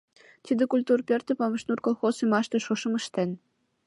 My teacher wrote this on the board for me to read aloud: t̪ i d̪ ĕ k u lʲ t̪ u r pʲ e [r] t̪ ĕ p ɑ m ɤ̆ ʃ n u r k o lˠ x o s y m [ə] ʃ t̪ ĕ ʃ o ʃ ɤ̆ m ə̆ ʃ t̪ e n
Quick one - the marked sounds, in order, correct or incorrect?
correct, incorrect: ɑ

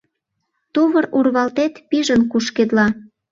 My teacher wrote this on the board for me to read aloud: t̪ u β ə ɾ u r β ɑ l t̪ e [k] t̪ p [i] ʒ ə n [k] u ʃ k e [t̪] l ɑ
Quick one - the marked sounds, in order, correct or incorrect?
incorrect: none, correct, correct, incorrect: d̪

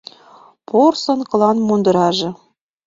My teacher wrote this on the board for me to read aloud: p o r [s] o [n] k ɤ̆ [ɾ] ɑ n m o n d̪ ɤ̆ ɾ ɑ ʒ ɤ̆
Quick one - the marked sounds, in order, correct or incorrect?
correct, correct, incorrect: l

